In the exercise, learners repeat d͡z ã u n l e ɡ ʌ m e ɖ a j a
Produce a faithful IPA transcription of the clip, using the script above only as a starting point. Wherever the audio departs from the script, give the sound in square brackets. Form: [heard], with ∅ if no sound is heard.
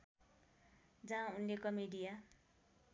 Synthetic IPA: d͡z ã u n l e [k] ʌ m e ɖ [i] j a